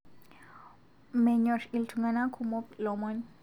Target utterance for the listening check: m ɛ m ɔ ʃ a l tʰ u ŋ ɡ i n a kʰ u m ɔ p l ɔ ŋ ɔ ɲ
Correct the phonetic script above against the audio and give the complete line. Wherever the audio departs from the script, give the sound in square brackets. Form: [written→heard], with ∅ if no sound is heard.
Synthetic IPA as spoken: m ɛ [m→ɲ] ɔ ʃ [a→i] l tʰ u ŋ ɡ [i→a] n a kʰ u m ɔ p l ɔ [ŋ→m] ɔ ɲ